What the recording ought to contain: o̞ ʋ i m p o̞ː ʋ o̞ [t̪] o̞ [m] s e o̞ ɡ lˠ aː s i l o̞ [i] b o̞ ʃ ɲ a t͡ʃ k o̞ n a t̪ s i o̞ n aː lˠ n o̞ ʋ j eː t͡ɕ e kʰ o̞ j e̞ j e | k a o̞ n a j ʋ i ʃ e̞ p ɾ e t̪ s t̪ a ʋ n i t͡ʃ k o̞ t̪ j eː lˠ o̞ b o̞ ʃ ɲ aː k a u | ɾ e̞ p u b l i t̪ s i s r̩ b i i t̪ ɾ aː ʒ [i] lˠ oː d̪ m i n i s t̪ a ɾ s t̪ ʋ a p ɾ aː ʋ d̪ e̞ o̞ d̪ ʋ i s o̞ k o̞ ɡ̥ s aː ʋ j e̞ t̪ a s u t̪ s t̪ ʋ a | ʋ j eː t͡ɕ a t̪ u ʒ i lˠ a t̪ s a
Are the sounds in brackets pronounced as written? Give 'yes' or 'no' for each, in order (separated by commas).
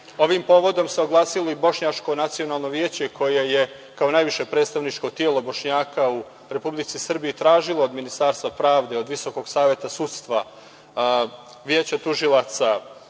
no, yes, yes, yes